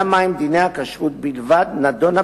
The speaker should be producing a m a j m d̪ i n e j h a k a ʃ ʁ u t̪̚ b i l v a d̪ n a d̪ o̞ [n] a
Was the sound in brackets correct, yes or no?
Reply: yes